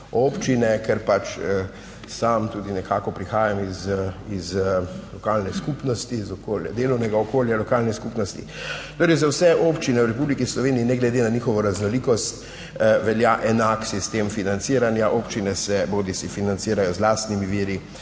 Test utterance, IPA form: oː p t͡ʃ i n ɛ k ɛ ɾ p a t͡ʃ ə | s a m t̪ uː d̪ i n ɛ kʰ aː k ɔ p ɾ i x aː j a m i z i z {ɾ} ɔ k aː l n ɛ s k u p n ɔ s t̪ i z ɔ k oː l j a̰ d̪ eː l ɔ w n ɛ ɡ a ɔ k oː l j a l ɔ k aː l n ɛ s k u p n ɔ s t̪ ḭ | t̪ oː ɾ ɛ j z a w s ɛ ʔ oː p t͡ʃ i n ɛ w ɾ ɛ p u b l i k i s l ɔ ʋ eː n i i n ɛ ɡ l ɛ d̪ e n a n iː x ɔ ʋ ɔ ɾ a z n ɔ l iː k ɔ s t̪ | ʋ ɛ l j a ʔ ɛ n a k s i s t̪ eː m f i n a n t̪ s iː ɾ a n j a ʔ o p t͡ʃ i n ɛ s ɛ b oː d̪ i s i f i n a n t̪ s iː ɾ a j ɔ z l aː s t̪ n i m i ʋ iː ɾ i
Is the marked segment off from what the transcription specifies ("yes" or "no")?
yes